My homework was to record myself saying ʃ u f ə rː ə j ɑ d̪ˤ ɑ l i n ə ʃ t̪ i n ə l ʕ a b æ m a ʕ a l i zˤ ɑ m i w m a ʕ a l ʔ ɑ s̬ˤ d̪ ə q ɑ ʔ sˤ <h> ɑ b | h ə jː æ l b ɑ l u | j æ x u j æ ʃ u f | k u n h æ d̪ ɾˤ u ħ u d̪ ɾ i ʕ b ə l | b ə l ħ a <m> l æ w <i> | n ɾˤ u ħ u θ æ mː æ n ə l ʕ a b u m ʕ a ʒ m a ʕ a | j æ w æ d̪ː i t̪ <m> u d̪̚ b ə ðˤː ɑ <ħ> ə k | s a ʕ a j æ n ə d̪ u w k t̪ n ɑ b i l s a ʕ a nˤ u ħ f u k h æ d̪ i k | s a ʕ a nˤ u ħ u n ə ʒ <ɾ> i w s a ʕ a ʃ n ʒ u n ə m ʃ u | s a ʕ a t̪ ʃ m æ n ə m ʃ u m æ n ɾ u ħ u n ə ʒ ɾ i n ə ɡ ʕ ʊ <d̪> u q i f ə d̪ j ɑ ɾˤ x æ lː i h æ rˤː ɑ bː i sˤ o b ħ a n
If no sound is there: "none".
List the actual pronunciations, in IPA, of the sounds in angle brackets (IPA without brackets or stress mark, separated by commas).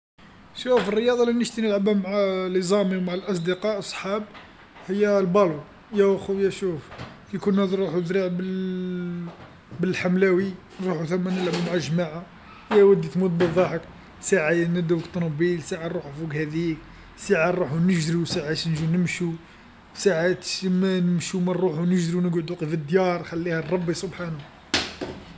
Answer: ħ, m, i, m, ħ, ɾ, d̪